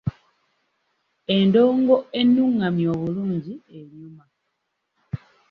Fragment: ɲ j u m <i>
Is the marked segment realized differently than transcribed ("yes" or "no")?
yes